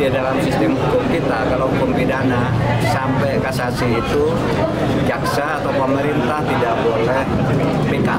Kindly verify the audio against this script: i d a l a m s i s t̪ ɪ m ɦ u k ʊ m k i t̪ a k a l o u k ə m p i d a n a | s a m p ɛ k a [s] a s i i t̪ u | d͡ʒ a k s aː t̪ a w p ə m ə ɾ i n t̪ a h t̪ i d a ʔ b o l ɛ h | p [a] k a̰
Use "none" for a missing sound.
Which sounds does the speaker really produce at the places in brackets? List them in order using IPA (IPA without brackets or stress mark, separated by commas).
s, i